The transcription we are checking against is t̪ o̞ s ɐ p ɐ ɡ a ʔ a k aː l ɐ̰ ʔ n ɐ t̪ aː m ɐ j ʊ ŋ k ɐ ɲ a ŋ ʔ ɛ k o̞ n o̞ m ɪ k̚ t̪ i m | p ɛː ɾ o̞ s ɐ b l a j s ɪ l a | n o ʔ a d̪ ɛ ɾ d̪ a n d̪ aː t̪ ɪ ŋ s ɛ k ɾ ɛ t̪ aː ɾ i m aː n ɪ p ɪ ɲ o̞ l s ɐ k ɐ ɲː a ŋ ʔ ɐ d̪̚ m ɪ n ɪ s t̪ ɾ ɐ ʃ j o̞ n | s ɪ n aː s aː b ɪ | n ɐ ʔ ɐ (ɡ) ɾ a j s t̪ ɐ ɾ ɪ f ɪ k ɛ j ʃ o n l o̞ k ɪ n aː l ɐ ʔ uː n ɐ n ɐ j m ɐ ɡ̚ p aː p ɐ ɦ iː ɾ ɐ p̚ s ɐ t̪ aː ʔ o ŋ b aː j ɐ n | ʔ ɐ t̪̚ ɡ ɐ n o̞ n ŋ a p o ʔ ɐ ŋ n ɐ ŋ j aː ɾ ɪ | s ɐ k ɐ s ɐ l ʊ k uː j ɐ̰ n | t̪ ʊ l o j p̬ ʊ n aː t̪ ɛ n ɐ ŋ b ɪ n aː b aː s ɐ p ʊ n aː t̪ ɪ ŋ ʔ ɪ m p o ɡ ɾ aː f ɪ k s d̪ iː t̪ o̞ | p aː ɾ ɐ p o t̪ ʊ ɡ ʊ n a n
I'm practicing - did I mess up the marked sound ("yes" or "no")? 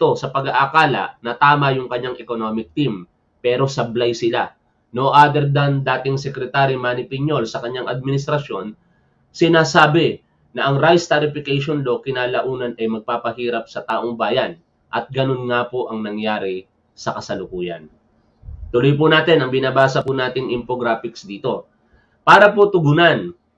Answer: yes